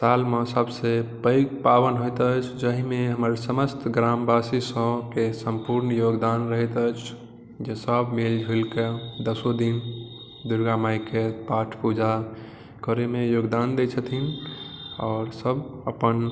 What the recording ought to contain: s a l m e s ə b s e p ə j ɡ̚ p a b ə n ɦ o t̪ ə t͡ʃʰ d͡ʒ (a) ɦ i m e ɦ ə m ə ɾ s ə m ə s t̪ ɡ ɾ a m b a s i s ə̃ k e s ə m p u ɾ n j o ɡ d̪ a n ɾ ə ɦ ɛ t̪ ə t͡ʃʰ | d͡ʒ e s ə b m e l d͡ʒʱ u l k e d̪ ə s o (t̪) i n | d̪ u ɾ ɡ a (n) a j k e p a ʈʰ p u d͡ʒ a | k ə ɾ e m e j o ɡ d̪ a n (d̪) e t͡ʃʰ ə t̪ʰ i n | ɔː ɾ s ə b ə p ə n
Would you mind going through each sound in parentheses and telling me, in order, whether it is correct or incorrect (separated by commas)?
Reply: incorrect, incorrect, incorrect, correct